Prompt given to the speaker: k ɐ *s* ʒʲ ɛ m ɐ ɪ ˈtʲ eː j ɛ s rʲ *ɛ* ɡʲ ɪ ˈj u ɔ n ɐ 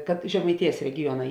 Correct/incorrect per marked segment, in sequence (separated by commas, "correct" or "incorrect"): incorrect, correct